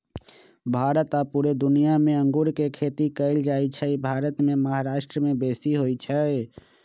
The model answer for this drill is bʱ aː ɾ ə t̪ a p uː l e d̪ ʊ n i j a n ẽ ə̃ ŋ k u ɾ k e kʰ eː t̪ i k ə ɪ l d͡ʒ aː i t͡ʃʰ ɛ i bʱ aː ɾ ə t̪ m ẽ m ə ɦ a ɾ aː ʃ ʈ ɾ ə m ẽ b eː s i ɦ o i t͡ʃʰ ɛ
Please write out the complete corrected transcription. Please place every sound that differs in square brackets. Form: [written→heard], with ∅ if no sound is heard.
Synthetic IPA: bʱ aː ɾ ə t̪ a p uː [l→ɾ] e d̪ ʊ n i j a [n→m] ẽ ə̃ ŋ [k→ɡ] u ɾ k e kʰ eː t̪ i k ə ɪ l d͡ʒ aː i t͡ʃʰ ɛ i bʱ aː ɾ ə t̪ m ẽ m ə ɦ a ɾ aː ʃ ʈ ɾ ə m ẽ b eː s i ɦ o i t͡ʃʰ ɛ